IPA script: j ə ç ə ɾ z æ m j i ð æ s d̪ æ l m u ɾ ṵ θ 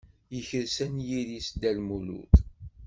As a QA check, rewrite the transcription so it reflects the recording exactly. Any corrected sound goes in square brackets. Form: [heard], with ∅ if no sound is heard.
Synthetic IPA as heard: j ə ç ə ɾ [s] æ [n] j i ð [i] s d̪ æ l m u [l] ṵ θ